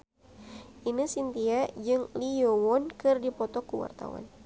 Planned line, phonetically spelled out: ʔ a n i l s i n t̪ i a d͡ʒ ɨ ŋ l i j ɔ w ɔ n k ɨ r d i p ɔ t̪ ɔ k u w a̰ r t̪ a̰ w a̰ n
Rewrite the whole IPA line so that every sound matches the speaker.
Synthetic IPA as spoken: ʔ i n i s i n t̪ i a d͡ʒ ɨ ŋ l i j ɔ w ɔ n k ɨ r d i p ɔ t̪ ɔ k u w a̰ r t̪ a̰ w a̰ n